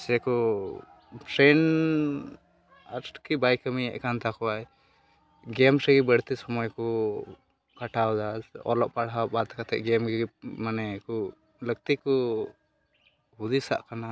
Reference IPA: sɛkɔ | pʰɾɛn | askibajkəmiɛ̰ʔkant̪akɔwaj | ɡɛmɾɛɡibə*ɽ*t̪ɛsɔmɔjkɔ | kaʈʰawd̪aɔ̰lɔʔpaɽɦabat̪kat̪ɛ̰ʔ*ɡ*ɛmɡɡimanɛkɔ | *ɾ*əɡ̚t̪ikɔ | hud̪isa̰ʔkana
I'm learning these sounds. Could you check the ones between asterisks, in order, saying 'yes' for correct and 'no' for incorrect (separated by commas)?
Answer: yes, yes, no